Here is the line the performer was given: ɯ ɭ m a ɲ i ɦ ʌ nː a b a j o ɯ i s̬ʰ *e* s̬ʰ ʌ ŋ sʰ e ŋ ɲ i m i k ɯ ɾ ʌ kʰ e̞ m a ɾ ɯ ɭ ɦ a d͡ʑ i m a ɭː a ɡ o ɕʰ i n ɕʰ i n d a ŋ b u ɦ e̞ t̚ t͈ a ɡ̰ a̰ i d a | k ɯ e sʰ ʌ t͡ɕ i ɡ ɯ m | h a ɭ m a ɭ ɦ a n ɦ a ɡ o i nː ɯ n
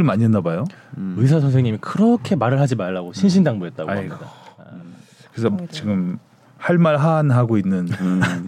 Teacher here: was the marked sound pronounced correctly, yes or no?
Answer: no